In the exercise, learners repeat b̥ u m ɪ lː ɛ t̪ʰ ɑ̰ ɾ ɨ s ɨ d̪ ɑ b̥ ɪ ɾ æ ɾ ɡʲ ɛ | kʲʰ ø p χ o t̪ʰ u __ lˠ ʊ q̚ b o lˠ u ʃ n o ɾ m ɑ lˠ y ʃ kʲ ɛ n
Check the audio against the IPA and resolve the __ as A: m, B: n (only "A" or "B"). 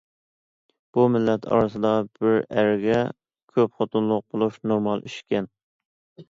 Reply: B